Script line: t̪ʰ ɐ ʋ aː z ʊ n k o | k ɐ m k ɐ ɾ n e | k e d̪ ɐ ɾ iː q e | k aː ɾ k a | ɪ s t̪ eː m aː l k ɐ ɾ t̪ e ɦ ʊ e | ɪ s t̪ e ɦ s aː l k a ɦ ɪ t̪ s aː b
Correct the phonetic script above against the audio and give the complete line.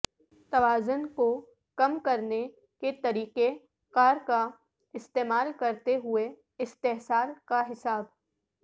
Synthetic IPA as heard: t̪ ɐ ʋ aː z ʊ n k o | k ɐ m k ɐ ɾ n e | k e t̪ ɐ ɾ iː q e | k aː ɾ k a | ɪ s t̪ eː m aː l k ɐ ɾ t̪ e ɦ ʊ e | ɪ s t̪ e ɦ s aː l k a ɦ ɪ s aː b